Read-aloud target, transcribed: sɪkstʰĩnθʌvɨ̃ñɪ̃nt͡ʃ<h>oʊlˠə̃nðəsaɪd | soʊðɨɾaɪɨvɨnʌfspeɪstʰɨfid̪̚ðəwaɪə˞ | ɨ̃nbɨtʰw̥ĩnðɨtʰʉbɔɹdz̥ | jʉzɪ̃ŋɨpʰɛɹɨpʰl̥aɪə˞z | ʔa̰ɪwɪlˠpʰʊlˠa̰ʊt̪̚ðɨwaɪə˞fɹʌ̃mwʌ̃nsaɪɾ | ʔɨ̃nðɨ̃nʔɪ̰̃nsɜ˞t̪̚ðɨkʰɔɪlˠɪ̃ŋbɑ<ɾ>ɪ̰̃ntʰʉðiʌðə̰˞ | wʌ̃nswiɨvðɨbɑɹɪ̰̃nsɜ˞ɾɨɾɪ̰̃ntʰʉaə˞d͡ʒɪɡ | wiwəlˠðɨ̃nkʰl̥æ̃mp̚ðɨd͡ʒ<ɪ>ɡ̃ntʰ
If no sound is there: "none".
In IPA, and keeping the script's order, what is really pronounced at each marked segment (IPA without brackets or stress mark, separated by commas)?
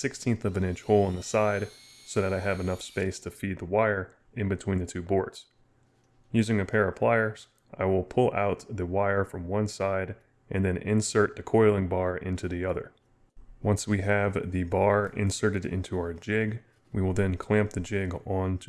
h, ɹ, ɪ